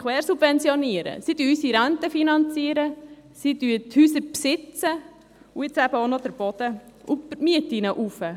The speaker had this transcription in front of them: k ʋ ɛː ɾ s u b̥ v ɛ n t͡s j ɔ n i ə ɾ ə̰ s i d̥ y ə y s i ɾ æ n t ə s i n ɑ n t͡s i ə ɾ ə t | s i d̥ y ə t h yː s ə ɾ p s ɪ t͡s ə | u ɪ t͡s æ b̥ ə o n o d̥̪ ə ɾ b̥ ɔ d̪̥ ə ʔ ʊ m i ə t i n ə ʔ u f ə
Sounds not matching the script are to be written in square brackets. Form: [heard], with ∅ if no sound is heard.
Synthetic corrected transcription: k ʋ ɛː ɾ s u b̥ v ɛ n t͡s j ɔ n i ə ɾ ə̰ s i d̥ y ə y s i ɾ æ n t ə [f] i n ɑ n t͡s i ə ɾ ə [∅] | s i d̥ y ə t h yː s ə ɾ p s ɪ t͡s ə | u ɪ t͡s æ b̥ ə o n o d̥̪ ə ɾ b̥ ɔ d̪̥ ə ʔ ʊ m i ə t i n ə ʔ u f ə

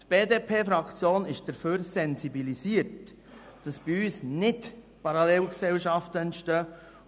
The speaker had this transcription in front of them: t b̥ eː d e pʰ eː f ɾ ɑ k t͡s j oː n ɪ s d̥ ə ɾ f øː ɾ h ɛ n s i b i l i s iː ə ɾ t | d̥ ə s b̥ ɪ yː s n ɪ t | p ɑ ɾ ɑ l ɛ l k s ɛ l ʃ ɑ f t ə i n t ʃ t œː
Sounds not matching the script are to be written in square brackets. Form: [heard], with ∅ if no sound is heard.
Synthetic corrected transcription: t b̥ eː d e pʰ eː f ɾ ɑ k t͡s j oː n ɪ [ʃ] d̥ ə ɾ f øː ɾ [s] ɛ n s i b i l i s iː ə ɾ t | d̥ [ɑ] s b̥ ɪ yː s n ɪ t | p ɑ ɾ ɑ l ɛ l k s ɛ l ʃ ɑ f t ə [ɛ] n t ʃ t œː

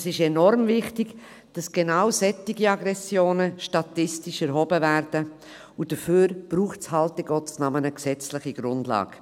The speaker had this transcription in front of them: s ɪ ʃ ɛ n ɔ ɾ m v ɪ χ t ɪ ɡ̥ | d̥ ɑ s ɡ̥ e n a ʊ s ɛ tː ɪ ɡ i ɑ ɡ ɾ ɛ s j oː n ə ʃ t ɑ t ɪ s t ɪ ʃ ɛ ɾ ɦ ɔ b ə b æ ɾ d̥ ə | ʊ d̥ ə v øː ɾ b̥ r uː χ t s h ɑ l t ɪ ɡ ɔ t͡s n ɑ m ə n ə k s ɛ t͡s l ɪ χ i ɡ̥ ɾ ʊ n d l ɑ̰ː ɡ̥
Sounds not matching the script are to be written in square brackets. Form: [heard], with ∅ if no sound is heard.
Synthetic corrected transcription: s ɪ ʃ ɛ n ɔ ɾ m v ɪ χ t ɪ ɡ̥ | d̥ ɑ s ɡ̥ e n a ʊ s ɛ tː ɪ ɡ i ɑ ɡ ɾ ɛ s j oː n ə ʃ t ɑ t ɪ s t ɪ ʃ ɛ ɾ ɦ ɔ b ə [v] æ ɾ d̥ ə | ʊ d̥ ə [f] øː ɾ b̥ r uː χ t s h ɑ l t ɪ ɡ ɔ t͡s n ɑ m ə n ə k s ɛ t͡s l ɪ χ i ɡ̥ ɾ ʊ n d l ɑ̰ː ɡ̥

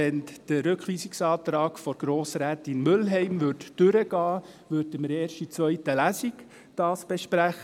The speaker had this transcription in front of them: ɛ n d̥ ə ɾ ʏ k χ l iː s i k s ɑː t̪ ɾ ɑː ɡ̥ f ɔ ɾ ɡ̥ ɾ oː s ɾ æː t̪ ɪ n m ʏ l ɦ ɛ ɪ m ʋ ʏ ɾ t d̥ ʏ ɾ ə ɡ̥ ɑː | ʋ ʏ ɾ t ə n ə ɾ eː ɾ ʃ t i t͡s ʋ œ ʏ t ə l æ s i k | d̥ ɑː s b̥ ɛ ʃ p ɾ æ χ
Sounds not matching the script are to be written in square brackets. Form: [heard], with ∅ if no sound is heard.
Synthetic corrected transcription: ɛ n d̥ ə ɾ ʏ k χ l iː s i k s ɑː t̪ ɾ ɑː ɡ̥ f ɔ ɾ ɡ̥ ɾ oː s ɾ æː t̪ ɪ n m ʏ l ɦ ɛ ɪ m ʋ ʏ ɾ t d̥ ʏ ɾ ə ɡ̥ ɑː | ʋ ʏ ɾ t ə [m] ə ɾ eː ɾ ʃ t i t͡s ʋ œ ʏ t ə l æ s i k | d̥ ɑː s b̥ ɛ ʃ p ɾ æ χ

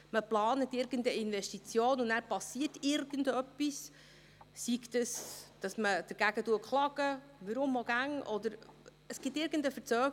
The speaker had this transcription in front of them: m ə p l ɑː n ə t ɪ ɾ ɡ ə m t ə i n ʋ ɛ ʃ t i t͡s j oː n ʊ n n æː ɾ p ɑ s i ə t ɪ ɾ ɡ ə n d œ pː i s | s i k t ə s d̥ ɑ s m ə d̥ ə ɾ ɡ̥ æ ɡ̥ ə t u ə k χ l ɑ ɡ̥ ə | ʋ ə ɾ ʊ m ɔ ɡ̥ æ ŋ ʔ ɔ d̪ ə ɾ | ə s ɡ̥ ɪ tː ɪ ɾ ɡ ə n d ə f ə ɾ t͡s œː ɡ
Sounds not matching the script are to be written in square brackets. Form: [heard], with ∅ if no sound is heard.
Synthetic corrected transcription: m ə p l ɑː n ə t ɪ ɾ ɡ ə [n] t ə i n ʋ ɛ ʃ t i t͡s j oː n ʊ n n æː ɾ p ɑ s i ə t ɪ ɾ ɡ ə n d œ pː i s | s i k t ə s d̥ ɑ s m ə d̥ ə ɾ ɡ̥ æ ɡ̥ ə t u ə k χ l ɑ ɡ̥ ə | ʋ ə ɾ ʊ m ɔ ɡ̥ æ ŋ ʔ ɔ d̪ ə ɾ | ə s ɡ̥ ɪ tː ɪ ɾ ɡ ə n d ə f ə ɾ t͡s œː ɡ

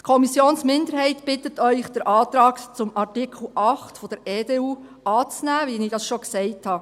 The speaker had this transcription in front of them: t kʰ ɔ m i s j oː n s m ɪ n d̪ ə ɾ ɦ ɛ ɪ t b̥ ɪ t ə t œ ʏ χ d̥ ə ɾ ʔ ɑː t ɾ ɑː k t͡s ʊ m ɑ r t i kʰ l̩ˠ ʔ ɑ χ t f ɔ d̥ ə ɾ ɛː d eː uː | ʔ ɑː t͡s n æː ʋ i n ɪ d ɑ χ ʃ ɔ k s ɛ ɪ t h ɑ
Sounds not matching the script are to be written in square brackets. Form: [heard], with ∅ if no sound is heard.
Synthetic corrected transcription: t kʰ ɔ m i s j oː n s m ɪ n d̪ ə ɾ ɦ ɛ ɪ t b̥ ɪ t ə t œ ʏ χ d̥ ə ɾ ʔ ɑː t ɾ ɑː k t͡s ʊ m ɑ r t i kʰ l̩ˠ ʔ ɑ χ t f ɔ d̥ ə ɾ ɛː d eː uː | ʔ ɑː t͡s n æː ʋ i n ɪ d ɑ [s] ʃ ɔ k s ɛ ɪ t h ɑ

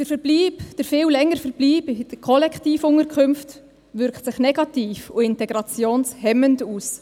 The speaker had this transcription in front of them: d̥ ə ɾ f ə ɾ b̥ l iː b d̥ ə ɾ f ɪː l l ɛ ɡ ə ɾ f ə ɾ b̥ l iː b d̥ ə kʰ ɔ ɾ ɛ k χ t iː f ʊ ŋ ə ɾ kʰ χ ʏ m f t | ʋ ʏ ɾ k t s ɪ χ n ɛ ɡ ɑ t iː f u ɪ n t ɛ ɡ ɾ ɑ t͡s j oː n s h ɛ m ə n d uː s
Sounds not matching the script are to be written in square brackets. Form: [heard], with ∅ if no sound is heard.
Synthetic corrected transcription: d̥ ə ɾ f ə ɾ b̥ l iː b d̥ ə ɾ f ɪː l l ɛ [ŋ] ə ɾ f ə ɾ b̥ l iː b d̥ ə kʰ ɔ [l] ɛ k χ t iː f ʊ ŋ ə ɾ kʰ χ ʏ m f t | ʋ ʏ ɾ k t s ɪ χ n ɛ ɡ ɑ t iː f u ɪ n t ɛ ɡ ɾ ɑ t͡s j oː n s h ɛ m ə n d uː s

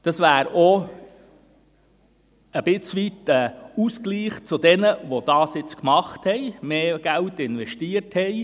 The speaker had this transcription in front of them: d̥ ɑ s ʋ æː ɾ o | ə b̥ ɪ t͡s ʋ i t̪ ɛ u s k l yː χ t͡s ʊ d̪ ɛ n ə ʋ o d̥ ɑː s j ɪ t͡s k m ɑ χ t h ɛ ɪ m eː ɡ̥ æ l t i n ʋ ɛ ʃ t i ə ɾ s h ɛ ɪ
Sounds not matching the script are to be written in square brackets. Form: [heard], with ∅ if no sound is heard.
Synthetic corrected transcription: d̥ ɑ s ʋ æː ɾ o | ə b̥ ɪ t͡s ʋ i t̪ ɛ u s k l [iː] χ t͡s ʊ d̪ ɛ n ə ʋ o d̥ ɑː s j ɪ t͡s k m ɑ χ t h ɛ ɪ m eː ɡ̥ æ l t [ɪ] n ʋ ɛ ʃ t i ə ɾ [t] h ɛ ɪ

